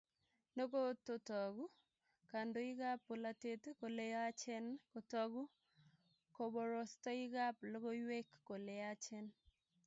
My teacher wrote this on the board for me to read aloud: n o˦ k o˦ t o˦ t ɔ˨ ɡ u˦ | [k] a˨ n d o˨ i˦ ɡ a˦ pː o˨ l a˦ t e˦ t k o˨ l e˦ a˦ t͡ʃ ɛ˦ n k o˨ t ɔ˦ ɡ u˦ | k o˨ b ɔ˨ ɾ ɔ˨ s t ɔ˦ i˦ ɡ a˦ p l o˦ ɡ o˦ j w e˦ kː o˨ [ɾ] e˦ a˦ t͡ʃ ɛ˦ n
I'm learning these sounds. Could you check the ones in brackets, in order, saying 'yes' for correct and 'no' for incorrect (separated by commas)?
yes, no